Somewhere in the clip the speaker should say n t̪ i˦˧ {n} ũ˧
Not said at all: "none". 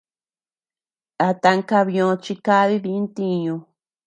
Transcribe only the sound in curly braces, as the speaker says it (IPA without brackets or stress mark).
ɲ